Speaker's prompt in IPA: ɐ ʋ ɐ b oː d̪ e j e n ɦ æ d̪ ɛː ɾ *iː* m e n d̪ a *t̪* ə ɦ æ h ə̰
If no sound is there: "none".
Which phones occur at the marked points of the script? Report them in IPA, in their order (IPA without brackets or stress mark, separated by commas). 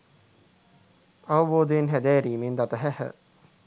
iː, t̪